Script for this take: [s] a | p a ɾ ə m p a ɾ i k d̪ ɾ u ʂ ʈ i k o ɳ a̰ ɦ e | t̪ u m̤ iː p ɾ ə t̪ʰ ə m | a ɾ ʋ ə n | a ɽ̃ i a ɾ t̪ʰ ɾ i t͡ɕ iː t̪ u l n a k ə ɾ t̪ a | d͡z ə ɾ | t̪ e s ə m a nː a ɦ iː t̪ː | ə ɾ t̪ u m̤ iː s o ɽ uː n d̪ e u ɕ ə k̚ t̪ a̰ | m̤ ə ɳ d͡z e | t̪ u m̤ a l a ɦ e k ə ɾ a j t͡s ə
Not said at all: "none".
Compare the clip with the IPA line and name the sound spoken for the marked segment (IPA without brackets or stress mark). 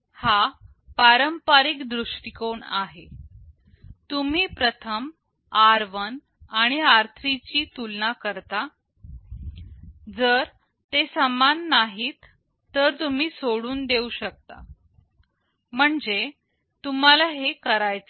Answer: h